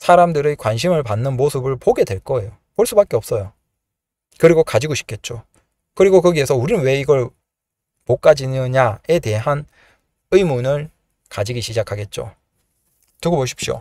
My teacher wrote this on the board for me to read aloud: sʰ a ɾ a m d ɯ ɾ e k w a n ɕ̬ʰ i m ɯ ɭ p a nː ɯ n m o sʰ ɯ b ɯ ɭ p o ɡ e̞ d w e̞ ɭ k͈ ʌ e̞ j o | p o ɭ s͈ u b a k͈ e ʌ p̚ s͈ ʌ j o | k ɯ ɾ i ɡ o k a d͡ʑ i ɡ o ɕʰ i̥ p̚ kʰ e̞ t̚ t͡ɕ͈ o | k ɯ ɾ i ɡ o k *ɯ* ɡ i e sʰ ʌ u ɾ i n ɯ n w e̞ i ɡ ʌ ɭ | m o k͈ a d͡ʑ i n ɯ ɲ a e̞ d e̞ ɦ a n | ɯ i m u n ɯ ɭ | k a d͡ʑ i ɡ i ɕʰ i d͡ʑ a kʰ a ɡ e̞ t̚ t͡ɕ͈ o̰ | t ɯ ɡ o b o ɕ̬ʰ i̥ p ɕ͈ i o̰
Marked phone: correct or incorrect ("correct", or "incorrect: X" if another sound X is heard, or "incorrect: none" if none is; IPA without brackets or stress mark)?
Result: correct